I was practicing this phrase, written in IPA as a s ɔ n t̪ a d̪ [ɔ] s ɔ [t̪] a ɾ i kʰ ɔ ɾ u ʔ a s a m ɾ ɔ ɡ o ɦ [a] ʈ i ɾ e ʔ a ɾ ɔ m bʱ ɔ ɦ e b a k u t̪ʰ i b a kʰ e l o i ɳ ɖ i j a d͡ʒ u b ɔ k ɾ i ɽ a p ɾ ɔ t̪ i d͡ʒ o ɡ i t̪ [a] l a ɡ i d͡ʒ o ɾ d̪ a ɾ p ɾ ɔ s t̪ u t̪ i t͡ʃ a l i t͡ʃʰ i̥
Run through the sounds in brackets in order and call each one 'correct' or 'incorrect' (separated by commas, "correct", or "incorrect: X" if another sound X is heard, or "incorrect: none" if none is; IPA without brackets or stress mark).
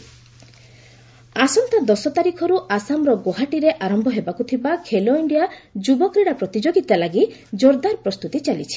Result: correct, correct, correct, correct